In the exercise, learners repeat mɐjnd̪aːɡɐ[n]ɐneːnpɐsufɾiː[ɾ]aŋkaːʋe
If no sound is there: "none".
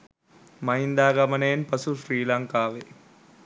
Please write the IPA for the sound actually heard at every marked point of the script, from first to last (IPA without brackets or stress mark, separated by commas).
m, l